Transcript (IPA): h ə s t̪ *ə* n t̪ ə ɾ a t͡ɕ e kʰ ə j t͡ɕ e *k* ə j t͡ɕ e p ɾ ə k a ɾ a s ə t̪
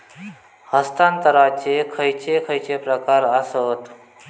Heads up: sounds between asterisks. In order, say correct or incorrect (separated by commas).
incorrect, incorrect